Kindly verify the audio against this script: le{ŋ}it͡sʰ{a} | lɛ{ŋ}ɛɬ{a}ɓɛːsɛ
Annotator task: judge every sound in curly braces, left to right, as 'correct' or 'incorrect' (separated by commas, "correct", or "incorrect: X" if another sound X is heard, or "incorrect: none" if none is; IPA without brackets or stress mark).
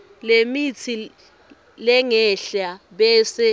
incorrect: m, incorrect: i, correct, correct